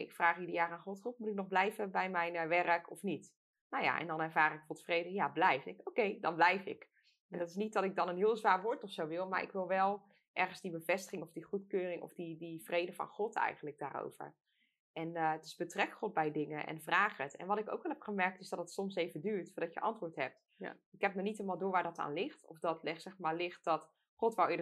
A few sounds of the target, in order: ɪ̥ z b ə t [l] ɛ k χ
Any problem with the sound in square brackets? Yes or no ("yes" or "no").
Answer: yes